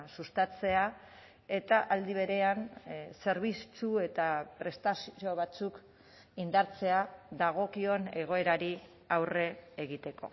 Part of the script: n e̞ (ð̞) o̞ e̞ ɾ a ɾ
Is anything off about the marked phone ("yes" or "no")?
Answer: yes